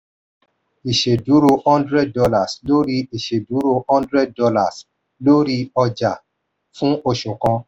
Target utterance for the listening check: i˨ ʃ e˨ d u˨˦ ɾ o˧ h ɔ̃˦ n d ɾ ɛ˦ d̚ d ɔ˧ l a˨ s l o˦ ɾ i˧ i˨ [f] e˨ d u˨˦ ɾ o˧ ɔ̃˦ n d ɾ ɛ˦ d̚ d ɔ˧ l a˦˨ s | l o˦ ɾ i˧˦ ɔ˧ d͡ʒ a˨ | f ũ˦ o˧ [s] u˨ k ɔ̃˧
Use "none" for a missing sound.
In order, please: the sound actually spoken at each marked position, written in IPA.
ʃ, ʃ

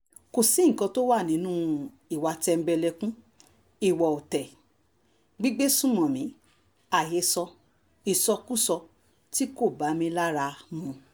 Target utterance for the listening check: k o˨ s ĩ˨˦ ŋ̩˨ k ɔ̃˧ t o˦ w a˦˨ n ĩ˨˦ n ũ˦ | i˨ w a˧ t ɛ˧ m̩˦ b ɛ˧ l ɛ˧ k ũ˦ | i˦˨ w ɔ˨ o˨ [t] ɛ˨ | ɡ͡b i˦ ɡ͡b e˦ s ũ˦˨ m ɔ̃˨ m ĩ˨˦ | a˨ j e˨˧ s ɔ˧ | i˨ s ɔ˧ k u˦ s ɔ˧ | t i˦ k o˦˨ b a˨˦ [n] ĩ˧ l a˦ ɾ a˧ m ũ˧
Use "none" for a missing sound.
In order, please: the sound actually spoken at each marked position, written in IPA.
t, m

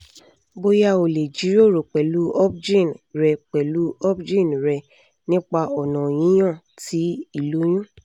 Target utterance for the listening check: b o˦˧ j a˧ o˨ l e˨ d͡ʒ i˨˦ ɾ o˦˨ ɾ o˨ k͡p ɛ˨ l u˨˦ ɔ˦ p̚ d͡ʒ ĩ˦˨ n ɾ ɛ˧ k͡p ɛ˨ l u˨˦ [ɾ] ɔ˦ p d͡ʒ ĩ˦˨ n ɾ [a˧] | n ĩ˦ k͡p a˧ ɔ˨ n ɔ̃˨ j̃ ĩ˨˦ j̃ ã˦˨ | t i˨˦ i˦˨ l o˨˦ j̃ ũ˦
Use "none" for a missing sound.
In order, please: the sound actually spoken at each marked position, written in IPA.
none, ɛ˧

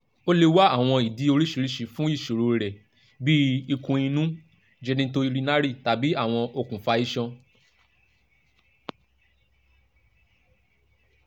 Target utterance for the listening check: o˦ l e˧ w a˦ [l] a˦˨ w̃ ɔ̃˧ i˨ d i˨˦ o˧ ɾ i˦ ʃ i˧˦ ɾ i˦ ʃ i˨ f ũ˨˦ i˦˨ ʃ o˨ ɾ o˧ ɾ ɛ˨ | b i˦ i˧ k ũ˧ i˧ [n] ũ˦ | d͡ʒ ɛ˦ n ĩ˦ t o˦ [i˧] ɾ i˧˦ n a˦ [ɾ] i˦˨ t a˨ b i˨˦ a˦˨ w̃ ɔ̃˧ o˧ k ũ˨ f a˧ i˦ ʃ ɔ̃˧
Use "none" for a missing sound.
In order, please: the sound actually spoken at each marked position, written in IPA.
none, n, i˧, ɾ

